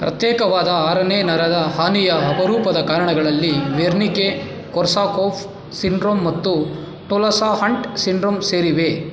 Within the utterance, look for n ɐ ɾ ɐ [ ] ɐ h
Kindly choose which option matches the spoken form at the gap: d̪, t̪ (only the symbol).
d̪